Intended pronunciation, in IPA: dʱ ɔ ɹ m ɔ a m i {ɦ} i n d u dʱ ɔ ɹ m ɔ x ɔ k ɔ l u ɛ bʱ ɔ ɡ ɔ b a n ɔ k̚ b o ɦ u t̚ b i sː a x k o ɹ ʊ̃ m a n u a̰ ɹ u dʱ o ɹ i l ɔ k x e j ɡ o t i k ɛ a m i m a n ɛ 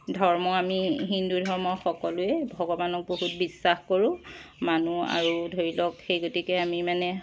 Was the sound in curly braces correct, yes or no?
yes